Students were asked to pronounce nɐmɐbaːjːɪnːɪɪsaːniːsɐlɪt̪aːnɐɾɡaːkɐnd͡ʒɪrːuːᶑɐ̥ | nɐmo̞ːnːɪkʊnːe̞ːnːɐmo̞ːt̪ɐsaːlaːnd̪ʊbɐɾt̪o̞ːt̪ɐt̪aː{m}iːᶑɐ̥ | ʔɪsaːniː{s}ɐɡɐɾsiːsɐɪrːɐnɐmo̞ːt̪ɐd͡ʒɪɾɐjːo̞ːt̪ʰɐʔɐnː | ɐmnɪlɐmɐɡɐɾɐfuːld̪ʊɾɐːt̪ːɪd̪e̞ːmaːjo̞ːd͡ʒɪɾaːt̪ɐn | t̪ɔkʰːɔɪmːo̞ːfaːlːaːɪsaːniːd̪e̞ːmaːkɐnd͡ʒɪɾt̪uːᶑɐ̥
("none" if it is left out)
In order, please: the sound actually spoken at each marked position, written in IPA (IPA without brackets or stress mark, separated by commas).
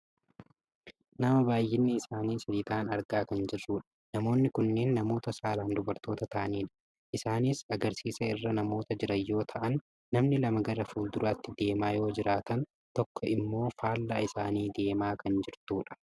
n, s